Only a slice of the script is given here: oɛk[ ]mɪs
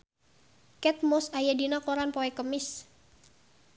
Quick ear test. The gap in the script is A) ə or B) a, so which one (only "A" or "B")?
A